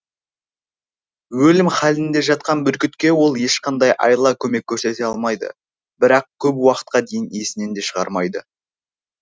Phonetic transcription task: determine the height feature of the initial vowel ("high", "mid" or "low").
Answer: mid